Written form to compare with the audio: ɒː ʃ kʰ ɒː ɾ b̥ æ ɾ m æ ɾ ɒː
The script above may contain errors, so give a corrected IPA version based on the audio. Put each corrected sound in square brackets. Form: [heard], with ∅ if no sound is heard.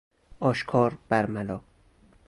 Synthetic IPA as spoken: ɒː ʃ kʰ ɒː ɾ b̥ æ ɾ m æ [l] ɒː